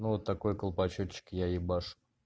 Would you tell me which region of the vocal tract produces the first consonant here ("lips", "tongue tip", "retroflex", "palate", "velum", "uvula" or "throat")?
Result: tongue tip